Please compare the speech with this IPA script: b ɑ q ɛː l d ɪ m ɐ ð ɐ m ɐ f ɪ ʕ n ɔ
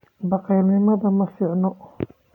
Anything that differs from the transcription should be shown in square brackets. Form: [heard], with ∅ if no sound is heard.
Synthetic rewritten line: b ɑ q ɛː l [n] ɪ m ɐ ð ɐ m ɐ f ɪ ʕ n ɔ